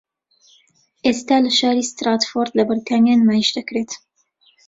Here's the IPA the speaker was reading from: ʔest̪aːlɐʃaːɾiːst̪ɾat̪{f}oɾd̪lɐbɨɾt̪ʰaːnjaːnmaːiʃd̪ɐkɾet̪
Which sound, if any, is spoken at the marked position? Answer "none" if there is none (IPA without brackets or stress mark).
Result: f